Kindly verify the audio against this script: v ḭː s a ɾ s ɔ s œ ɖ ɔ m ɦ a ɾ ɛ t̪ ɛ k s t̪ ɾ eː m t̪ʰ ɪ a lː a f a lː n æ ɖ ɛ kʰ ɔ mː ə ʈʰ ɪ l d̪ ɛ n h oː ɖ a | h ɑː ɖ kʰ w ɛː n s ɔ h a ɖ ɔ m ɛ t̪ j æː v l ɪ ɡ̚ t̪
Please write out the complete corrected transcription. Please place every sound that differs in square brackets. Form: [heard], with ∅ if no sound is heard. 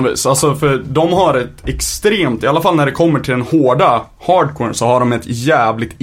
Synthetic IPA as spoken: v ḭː s a [l] s ɔ [f] œ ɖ ɔ m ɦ a ɾ ɛ t̪ ɛ k s t̪ ɾ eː m [t̪] ɪ a lː a f a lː n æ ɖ ɛ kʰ ɔ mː ə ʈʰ ɪ l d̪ ɛ n h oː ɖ a | h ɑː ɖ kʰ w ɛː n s ɔ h a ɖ ɔ m ɛ t̪ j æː v l ɪ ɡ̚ t̪